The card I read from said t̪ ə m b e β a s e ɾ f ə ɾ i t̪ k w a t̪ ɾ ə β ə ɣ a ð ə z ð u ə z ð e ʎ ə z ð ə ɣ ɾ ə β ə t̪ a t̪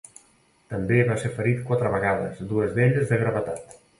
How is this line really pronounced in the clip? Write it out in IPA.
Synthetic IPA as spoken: t̪ ə m b e β a s e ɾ f ə ɾ i t̪ k w a t̪ ɾ ə β ə ɣ a ð ə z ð u ə z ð e ʎ ə z ð ə ɣ ɾ ə β ə t̪ a t̪

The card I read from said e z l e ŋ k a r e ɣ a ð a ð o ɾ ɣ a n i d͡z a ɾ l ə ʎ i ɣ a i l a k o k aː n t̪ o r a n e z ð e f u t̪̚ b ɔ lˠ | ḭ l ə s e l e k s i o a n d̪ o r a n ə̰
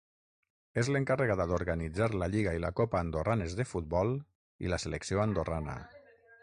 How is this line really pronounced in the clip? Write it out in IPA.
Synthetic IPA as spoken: e z l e ŋ k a r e ɣ a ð a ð o ɾ ɣ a n i d͡z a ɾ l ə ʎ i ɣ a i l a k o p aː n d̪ o r a n e z ð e f u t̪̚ b ɔ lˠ | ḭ l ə s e l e k s i o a n d̪ o r a n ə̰

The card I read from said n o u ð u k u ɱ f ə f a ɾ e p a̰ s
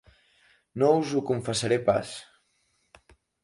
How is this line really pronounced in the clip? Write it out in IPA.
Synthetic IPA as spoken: n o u z u k u ɱ f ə s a ɾ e p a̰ s

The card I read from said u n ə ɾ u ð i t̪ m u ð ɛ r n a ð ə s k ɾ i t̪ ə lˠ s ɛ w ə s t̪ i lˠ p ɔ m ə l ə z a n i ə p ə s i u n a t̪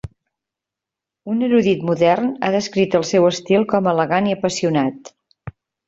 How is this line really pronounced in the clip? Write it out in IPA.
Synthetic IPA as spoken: u n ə ɾ u ð i t̪ m u ð ɛ r n a ð ə s k ɾ i t̪ ə lˠ s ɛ w ə s t̪ i lˠ k ɔ m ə l ə ɣ a n i ə p ə s i u n a t̪

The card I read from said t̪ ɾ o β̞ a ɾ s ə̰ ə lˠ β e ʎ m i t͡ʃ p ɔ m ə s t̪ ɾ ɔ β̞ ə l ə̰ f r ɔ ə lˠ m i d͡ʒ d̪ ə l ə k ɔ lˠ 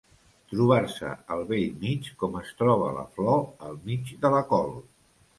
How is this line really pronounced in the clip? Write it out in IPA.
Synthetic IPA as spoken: t̪ ɾ u β̞ a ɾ s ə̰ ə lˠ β e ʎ m i t͡ʃ k ɔ m ə s t̪ ɾ ɔ β̞ ə l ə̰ f l ɔ ə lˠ m i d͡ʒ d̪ ə l ə k ɔ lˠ

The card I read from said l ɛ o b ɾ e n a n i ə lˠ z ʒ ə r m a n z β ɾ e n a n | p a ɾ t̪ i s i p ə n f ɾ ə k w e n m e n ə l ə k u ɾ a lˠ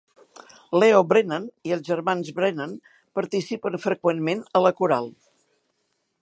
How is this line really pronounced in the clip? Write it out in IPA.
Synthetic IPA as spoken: l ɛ o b ɾ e n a n i ə lˠ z ʒ ə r m a n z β ɾ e n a n | p ə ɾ t̪ i s i p ə n f ɾ ə k w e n m e n ə l ə k u ɾ a lˠ

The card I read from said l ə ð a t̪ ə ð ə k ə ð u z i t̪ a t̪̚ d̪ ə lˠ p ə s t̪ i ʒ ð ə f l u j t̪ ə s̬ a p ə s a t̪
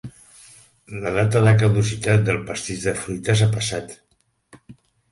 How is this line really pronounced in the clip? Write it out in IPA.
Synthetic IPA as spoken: l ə ð a t̪ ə ð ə k ə ð u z i t̪ a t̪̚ d̪ ə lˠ p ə s t̪ i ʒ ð ə f ɾ u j t̪ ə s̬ a p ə s a t̪

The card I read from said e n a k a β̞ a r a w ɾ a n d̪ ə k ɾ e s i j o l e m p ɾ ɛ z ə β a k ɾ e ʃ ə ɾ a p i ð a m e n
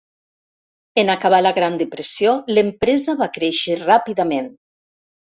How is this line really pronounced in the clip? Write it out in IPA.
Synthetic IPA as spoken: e n a k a β̞ a l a ɣ ɾ a n d̪ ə p ɾ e s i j o l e m p ɾ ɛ z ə β a k ɾ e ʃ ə r a p i ð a m e n

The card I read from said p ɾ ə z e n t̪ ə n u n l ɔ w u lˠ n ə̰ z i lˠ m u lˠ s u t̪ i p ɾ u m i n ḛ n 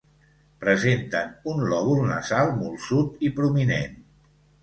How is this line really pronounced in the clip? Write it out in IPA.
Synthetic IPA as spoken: p ɾ ə z e n t̪ ə n u n l ɔ β u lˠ n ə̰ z a lˠ m u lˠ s u t̪ i p ɾ u m i n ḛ n

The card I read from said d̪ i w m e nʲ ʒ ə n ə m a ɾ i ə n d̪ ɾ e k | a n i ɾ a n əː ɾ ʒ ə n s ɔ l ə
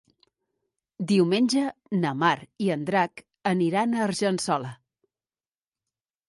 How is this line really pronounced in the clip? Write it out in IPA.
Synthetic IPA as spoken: d̪ i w m e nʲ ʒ ə n ə m a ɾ i ə n d̪ ɾ a k | ə n i ɾ a n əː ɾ ʒ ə n s ɔ l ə

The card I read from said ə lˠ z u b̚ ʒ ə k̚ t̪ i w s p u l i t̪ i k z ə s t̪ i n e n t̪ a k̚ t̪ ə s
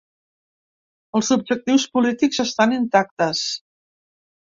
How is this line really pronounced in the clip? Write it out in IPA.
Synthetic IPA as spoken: ə lˠ z u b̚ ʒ ə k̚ t̪ i w s p u l i t̪ i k z ə s t̪ a n i n t̪ a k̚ t̪ ə s

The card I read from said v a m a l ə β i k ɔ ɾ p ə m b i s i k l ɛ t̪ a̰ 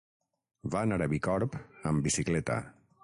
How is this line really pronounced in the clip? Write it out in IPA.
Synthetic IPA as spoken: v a n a ɾ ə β i k ɔ ɾ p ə m b i s i k l ɛ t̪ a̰

